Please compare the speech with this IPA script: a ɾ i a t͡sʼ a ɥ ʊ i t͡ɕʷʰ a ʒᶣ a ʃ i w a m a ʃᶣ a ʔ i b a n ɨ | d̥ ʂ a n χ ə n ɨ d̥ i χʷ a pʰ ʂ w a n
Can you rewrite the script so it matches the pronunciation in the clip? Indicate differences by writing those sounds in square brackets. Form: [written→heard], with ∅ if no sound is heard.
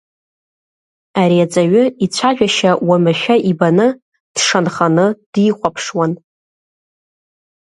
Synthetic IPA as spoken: a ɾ i a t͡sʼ a ɥ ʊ i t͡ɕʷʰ a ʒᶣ a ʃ [i→a] w a m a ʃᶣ a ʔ i b a n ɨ | d̥ ʂ a n χ [ə→a] n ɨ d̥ i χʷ a pʰ ʂ w a n